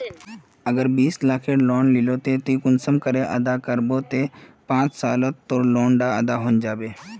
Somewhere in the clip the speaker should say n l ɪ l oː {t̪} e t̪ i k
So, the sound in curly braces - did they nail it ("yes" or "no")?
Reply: yes